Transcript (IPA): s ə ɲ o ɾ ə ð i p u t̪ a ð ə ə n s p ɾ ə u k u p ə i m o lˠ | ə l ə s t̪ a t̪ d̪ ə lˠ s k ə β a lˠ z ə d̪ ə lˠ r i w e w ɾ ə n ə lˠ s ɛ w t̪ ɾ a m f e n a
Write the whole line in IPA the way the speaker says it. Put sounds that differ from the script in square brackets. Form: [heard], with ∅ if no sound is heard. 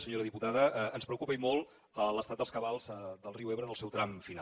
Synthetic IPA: s ə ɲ o ɾ ə ð i p u t̪ a ð ə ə n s p ɾ ə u k u p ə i m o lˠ | ə l ə s t̪ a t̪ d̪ ə lˠ s k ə β a lˠ z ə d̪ ə lˠ r i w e [β] ɾ ə n ə lˠ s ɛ w t̪ ɾ a m f [i] n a